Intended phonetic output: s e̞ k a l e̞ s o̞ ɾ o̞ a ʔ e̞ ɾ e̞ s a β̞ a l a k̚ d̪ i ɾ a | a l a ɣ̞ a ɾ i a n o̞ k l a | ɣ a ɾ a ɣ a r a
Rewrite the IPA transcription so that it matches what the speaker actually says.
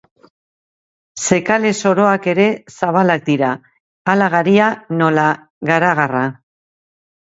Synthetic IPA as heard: s e̞ k a l e̞ s o̞ ɾ o̞ a k e̞ ɾ e̞ s a β̞ a l a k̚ d̪ i ɾ a | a l a ɣ̞ a ɾ i a n o̞ l a | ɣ a ɾ a ɣ a r a